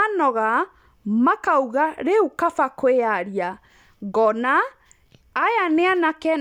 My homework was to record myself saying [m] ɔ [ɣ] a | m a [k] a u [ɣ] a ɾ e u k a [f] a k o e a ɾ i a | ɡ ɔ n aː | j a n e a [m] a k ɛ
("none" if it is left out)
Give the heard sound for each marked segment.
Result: n, ɣ, k, ɣ, f, n

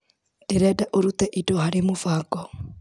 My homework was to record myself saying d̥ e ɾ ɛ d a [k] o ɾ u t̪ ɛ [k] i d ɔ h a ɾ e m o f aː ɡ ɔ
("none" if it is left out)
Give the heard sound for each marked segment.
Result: ʔ, ʔ

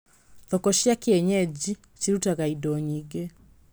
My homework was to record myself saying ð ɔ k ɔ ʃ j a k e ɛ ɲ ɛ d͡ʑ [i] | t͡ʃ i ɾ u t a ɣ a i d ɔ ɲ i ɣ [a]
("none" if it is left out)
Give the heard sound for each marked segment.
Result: i, e

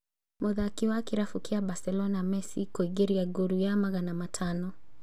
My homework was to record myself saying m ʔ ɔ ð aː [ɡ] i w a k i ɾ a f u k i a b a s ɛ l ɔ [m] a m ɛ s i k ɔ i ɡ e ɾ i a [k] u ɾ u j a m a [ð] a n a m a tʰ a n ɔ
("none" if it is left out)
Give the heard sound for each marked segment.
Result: k, n, ɡ, ɣ

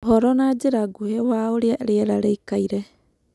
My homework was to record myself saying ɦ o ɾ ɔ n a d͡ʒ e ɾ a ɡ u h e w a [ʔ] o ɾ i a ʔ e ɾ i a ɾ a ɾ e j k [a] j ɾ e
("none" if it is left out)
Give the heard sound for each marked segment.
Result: none, a

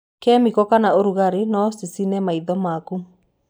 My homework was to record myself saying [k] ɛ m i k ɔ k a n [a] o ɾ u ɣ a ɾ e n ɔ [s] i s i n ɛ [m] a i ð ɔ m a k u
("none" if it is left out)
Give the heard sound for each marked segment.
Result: k, a, s, m

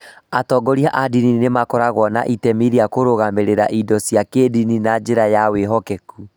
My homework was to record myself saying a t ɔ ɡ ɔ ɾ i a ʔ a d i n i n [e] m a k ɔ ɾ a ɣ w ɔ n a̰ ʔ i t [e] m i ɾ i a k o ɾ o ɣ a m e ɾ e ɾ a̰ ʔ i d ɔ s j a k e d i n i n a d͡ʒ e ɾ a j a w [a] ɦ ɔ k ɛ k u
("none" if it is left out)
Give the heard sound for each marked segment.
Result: e, ɛ, e

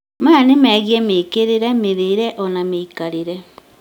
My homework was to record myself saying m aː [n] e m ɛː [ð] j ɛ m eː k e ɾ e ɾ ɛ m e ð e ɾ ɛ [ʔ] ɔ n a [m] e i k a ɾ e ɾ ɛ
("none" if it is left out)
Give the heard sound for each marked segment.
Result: n, ɣ, ʔ, m

